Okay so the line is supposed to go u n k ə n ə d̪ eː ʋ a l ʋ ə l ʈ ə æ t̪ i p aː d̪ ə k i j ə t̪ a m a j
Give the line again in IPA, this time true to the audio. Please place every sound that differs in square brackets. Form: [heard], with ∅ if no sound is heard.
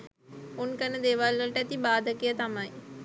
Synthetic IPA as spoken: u n k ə n ə d̪ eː ʋ a l ʋ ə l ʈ ə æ t̪ i [b] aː d̪ ə k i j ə t̪ a m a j